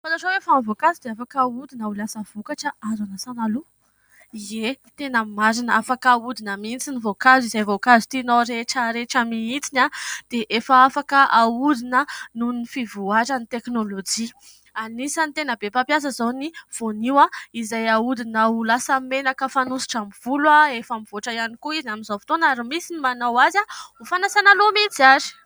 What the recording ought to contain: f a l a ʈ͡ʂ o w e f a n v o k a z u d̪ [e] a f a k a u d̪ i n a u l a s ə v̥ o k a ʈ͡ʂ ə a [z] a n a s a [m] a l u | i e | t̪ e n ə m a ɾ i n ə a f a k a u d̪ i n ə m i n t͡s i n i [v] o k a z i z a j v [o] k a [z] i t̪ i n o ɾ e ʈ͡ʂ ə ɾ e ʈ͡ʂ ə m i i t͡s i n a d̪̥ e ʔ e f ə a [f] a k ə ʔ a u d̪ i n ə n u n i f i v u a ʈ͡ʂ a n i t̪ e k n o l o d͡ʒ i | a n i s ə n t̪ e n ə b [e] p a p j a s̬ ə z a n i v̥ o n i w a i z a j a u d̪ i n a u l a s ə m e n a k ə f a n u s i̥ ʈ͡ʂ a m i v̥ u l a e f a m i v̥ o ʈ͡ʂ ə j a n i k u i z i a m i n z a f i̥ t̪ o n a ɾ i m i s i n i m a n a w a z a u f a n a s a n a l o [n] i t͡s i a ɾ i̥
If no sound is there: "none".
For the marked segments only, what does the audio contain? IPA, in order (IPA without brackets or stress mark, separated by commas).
e, z, n, v, o, z, f, e, m